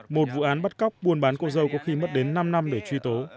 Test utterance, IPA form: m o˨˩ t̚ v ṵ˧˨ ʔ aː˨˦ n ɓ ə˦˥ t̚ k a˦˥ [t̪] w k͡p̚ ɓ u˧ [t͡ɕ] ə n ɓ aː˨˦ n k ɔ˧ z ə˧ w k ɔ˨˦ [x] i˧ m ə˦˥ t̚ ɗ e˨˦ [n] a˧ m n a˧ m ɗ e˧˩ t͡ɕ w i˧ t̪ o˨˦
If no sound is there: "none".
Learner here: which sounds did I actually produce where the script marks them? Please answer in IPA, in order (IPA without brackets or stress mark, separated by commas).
none, none, x, nː